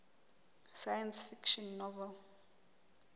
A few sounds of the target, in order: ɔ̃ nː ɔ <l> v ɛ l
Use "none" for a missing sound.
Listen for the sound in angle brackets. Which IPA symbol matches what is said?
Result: none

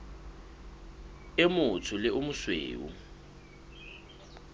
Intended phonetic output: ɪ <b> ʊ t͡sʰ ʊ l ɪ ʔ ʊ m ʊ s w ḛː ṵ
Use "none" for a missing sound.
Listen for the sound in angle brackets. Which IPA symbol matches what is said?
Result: m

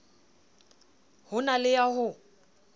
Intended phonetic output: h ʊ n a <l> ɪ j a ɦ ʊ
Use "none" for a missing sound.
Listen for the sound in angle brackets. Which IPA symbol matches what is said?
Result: l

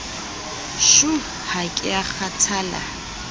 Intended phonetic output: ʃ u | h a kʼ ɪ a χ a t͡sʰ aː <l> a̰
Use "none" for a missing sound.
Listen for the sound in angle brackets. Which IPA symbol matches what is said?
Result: l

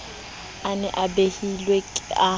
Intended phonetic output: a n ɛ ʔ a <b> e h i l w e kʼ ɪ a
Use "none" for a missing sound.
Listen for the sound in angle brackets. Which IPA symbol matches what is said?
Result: b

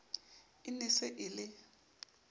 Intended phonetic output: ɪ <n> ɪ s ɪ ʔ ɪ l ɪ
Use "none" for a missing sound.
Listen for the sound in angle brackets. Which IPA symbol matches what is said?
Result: n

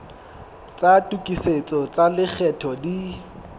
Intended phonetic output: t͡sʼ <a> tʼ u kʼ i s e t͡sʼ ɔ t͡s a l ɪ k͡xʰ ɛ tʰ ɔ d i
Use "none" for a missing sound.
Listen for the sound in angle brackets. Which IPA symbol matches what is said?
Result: a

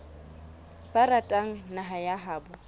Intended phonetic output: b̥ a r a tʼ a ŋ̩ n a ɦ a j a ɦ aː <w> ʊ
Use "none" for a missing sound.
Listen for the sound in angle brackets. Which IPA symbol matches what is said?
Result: b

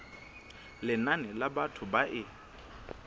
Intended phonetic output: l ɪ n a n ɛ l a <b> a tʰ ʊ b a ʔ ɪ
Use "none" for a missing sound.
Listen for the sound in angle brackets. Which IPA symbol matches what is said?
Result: b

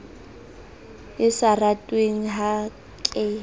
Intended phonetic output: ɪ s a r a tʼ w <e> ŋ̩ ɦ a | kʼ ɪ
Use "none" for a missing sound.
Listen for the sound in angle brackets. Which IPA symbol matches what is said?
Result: e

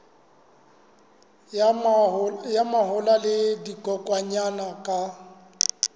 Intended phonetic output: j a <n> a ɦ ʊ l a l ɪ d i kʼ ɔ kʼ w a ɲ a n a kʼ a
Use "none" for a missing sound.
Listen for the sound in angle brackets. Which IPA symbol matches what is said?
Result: m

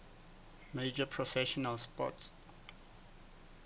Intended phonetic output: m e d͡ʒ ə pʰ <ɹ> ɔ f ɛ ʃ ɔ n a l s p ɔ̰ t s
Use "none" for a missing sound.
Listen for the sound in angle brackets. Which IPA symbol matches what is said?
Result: ɹ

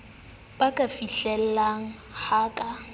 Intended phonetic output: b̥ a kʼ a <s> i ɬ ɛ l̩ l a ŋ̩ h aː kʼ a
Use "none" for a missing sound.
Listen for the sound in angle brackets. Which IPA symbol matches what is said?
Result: f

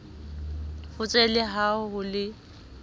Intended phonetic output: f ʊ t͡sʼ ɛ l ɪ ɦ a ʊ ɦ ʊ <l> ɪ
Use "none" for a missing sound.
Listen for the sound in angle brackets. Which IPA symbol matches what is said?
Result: l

